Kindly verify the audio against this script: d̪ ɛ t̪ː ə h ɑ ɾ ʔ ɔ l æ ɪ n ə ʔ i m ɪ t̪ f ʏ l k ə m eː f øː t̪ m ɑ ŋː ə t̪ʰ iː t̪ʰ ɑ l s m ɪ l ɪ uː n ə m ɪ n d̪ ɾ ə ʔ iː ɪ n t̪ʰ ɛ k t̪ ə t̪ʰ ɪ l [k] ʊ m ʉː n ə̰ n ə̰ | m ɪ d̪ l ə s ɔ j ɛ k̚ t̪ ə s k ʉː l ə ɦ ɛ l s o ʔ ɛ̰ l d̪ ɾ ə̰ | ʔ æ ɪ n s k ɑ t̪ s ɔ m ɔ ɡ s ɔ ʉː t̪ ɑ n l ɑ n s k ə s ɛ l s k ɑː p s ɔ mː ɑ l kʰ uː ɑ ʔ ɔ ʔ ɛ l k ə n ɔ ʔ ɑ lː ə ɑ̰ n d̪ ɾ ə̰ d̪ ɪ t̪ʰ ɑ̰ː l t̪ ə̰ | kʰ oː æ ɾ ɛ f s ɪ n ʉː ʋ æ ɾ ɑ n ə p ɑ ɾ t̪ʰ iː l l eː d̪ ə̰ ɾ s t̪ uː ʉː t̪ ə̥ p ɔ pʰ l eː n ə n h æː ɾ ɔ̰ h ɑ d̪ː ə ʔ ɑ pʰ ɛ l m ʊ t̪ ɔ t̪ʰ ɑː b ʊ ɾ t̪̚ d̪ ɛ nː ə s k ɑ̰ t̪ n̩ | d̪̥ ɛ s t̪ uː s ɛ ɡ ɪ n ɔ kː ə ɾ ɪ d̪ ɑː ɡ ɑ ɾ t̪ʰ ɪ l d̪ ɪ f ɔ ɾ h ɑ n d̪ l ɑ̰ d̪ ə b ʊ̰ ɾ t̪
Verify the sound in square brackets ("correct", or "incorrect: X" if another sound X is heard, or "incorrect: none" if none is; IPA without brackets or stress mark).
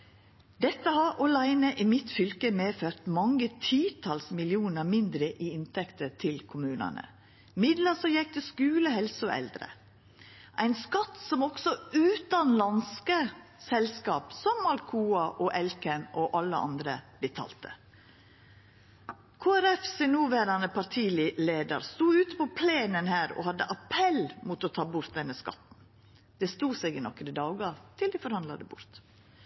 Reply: incorrect: kʰ